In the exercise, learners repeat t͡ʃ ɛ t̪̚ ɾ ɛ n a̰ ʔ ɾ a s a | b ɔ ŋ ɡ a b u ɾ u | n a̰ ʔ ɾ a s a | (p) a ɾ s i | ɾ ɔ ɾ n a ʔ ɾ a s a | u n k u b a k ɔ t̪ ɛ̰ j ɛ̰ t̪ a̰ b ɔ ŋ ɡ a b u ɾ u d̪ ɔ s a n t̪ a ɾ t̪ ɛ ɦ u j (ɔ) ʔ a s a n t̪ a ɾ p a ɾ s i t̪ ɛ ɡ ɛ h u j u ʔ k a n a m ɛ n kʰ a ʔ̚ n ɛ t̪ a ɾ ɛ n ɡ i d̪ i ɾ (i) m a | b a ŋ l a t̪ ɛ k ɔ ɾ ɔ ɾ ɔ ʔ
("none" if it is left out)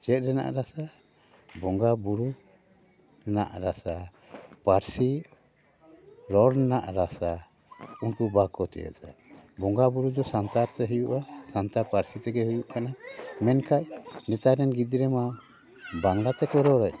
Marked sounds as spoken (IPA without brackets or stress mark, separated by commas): p, u, ɛ